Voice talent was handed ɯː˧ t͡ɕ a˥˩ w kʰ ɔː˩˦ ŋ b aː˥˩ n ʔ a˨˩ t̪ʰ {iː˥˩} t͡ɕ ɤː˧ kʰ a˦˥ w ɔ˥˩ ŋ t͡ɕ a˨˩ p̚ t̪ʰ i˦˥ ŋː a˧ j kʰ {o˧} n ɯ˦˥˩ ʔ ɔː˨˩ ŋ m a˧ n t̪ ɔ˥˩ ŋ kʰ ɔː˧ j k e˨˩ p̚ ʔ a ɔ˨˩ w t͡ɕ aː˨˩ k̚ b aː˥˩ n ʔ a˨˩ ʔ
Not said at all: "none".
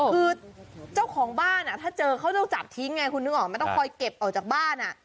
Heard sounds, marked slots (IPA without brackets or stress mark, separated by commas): aː˥˩, u˧